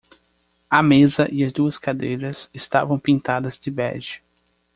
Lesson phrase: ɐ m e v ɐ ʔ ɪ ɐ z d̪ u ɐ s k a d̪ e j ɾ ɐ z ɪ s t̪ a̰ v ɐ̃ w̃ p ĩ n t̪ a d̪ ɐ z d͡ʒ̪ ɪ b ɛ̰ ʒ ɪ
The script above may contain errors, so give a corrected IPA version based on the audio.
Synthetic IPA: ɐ m e z ɐ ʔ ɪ ɐ z d̪ u ɐ s k a d̪ e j ɾ ɐ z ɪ s t̪ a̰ v ɐ̃ w̃ p ĩ n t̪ a d̪ ɐ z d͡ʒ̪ ɪ b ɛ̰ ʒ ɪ